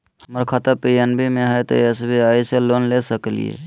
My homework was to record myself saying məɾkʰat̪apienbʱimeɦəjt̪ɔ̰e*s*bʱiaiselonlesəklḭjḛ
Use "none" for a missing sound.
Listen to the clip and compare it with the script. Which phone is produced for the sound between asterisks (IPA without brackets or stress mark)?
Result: s